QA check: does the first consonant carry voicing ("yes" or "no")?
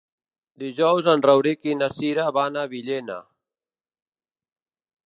yes